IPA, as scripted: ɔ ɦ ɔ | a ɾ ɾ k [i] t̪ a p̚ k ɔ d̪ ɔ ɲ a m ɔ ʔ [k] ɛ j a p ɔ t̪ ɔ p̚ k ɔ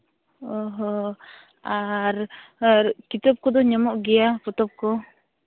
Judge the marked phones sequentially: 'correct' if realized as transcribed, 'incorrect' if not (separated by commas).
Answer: correct, incorrect